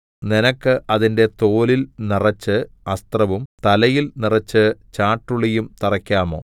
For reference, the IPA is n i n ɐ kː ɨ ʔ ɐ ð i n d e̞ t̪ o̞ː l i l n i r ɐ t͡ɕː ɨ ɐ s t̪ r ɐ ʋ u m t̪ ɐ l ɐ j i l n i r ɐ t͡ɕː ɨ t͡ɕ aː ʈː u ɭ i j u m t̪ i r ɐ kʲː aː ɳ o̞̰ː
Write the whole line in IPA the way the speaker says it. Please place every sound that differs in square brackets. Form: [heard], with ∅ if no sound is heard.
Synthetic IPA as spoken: n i n ɐ kː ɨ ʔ ɐ ð i n d e̞ t̪ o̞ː l i l n i r ɐ t͡ɕː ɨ ɐ s t̪ r ɐ ʋ u m t̪ ɐ l ɐ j i l n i r ɐ t͡ɕː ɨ t͡ɕ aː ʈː u ɭ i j u m t̪ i r ɐ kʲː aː [m] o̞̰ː